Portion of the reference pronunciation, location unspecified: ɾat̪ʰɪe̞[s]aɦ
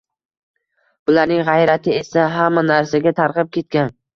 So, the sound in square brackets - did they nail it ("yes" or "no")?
yes